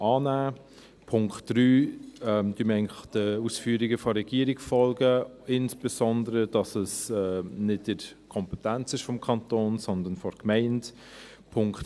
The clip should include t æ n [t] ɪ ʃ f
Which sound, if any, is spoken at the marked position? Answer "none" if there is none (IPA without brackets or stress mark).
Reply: t͡s